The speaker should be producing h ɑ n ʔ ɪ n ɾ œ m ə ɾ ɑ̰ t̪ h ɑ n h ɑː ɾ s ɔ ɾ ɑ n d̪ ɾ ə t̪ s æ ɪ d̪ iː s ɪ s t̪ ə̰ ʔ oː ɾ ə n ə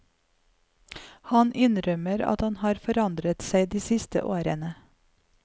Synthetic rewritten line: h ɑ n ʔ ɪ n ɾ œ m ə ɾ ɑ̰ t̪ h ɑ n h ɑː ɾ f ɔ ɾ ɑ n d̪ ɾ ə t̪ s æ ɪ d̪ iː s ɪ s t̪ ə̰ ʔ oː ɾ ə n ə